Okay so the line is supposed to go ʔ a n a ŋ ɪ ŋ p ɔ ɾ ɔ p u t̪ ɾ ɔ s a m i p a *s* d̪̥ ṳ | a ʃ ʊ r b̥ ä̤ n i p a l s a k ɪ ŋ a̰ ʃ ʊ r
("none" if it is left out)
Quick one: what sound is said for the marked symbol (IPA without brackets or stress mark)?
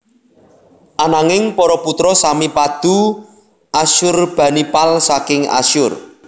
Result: none